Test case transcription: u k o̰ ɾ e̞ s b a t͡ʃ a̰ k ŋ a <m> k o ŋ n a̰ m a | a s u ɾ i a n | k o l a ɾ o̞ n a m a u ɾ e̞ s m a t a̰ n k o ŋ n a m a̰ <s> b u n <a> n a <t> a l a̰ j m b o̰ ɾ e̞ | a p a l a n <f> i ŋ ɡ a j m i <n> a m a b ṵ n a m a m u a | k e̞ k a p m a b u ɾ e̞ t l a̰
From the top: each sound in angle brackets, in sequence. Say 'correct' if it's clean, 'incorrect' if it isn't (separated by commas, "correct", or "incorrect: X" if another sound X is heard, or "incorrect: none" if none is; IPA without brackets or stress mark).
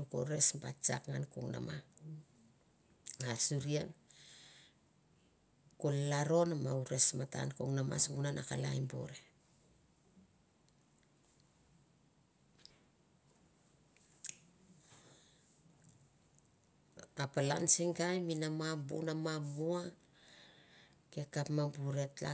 incorrect: n, correct, correct, incorrect: k, incorrect: s, correct